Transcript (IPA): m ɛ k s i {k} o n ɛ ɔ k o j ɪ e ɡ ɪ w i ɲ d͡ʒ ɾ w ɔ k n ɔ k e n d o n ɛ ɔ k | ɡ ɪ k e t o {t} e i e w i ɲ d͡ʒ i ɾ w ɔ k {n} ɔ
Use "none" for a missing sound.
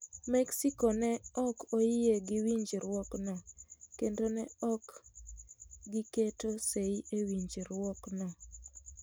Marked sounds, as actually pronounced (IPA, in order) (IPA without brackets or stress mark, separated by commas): k, s, n